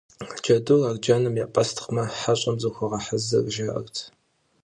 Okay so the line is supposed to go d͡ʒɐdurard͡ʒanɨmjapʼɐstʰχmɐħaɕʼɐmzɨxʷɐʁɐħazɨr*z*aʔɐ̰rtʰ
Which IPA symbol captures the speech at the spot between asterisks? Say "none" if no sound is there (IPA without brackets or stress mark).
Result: ʒ